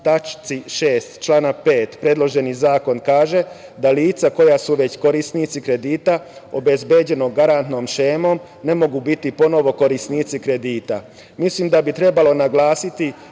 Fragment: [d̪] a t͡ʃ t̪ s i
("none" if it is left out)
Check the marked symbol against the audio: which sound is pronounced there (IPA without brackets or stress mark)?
t̪